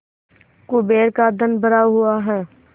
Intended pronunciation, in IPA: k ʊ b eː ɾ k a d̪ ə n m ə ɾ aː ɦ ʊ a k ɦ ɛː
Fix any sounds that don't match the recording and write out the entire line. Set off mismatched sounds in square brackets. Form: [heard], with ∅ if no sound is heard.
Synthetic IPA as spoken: k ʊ b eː ɾ k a d̪ ə n [b] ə ɾ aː ɦ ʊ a [∅] ɦ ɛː